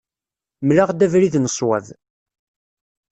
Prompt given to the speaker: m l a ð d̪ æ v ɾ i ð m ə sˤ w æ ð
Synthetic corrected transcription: m l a ʁ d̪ æ v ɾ i ð n ə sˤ w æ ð